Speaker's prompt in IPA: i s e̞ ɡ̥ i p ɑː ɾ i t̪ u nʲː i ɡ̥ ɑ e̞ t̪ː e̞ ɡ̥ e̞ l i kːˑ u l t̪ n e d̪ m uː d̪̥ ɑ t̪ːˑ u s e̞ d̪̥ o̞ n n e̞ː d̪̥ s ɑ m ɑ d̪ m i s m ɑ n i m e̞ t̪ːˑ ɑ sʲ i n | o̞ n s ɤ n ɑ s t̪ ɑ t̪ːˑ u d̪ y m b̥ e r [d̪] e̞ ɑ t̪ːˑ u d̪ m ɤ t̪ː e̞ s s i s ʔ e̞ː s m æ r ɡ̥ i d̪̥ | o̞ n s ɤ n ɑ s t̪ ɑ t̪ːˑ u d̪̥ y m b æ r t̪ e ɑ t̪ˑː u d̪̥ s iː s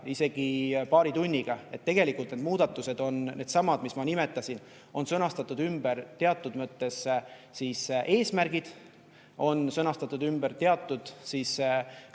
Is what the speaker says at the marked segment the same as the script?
no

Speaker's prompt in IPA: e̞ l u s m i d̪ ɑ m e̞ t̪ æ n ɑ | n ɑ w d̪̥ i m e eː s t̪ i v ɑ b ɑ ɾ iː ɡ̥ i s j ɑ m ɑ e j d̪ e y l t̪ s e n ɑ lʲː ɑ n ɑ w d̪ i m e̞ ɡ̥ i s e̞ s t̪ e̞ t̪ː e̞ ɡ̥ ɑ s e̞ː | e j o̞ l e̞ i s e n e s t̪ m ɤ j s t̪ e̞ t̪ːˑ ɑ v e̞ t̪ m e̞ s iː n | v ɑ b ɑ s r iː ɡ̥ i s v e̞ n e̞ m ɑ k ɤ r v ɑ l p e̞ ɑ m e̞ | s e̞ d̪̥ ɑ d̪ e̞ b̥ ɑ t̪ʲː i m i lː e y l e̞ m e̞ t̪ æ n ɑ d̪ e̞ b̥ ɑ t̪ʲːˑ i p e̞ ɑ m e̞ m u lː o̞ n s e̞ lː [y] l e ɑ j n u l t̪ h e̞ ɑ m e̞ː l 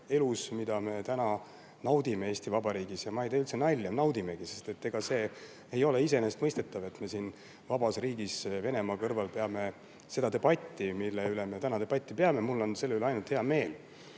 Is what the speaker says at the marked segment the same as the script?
yes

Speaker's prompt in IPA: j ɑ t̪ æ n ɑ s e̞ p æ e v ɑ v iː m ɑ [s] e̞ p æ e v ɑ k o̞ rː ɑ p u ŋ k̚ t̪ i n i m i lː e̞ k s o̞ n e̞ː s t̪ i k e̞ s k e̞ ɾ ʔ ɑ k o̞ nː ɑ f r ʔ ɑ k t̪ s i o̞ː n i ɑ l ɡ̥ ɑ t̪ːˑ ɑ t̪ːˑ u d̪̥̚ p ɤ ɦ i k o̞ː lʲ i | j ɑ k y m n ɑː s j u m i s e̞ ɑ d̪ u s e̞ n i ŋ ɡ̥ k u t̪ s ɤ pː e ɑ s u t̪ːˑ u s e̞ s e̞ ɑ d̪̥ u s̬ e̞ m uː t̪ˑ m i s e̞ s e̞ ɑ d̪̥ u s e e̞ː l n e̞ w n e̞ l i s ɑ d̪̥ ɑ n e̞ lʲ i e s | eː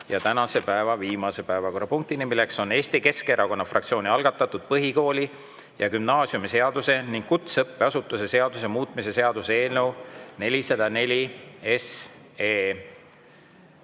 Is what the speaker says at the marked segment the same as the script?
yes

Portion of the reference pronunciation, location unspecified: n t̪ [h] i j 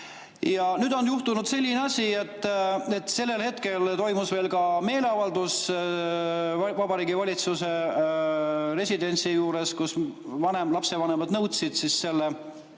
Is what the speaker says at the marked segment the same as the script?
no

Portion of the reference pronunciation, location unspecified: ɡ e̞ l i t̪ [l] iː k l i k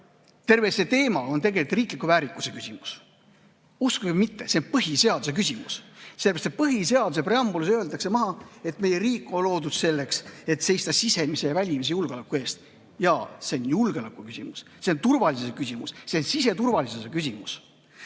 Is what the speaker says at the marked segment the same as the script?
no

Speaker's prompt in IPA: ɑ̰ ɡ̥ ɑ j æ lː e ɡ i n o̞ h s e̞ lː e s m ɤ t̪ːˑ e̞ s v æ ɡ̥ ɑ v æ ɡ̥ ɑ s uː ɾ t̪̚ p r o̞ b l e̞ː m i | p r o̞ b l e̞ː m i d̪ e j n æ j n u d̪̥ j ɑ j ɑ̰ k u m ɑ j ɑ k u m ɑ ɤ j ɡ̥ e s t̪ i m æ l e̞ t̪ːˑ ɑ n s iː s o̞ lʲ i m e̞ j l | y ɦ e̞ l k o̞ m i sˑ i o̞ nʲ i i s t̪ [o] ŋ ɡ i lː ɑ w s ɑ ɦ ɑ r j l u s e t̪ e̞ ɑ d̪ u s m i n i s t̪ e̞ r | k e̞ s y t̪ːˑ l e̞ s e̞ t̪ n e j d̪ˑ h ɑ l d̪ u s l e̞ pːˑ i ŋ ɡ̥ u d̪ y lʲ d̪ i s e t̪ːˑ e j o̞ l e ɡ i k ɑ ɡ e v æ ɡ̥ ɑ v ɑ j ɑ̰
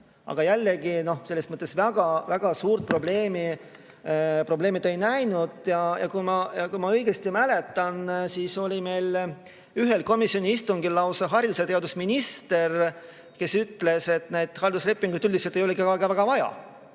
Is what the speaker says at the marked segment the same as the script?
no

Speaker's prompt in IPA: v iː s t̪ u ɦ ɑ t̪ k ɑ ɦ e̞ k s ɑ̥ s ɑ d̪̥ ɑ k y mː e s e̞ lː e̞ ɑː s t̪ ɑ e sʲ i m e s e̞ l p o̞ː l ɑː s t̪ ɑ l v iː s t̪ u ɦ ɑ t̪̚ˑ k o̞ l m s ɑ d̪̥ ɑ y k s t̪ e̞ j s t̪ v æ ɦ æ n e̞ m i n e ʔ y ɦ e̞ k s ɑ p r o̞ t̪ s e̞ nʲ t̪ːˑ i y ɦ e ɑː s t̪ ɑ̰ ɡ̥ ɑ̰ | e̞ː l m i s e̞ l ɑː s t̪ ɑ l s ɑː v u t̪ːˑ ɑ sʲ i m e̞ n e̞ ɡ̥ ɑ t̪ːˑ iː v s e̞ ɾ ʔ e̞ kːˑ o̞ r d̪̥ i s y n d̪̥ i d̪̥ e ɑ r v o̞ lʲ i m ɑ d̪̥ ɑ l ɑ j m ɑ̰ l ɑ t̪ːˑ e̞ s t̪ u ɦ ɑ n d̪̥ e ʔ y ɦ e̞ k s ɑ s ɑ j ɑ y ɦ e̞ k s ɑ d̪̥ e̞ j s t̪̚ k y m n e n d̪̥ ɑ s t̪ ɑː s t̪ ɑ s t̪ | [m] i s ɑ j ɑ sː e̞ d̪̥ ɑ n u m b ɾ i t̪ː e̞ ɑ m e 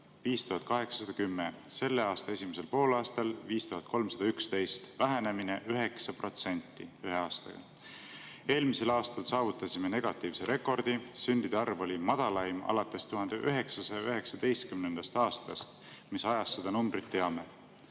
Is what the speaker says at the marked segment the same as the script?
yes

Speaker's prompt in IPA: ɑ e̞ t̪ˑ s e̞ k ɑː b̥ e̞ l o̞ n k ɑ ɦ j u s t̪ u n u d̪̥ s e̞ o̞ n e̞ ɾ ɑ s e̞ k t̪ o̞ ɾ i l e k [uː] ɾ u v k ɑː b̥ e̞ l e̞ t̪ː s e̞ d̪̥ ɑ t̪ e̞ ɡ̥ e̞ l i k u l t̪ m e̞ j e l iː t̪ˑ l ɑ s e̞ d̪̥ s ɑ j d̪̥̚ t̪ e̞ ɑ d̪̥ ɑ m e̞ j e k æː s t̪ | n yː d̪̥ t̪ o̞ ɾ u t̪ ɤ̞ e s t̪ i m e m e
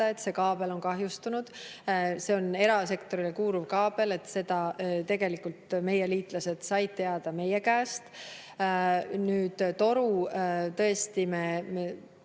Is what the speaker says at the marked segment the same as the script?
yes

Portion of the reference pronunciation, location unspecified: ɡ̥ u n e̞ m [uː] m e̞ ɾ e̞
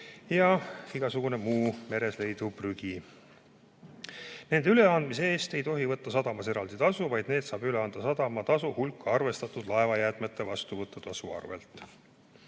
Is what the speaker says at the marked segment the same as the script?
yes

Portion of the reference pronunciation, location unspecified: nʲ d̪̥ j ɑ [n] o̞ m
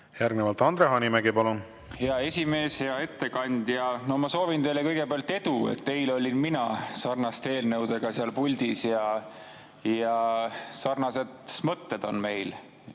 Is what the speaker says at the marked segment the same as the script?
yes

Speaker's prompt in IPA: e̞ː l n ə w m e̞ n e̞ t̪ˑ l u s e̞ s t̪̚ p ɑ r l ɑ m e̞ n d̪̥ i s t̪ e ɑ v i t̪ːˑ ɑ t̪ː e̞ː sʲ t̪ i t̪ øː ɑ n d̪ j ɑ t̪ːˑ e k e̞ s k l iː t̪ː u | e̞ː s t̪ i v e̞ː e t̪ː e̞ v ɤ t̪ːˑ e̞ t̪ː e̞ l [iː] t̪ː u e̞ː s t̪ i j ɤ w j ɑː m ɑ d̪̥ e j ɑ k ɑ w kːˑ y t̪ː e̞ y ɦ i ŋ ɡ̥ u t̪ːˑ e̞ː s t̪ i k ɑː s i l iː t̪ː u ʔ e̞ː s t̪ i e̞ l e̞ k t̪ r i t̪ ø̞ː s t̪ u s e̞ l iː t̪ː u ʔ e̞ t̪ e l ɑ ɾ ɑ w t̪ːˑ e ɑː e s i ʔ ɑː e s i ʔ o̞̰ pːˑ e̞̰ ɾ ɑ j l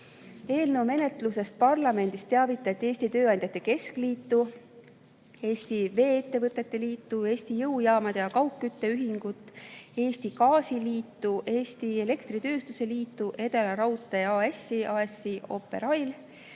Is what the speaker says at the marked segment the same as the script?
yes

